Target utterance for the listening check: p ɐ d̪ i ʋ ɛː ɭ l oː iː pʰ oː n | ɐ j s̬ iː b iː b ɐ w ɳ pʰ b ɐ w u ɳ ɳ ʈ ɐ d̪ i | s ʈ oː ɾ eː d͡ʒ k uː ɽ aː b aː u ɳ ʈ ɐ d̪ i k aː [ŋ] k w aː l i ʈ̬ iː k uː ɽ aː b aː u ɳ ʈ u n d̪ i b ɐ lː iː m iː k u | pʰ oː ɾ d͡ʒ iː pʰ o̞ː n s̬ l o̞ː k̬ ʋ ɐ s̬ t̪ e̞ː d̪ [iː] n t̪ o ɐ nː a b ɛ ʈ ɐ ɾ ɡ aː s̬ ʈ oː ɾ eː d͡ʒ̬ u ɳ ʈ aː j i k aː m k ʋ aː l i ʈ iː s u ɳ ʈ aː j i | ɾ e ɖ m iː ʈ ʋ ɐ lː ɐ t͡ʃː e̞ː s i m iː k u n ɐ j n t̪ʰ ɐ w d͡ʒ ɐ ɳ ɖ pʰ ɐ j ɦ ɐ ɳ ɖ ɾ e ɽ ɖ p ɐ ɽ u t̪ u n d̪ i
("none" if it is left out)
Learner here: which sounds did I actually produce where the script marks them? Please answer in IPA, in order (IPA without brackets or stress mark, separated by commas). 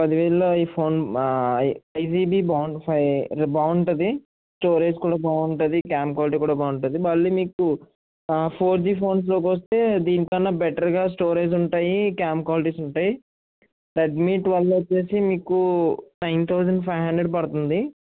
m, iː